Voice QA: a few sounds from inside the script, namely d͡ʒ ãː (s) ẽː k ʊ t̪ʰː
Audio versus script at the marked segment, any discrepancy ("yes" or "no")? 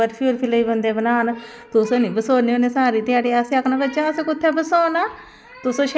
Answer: no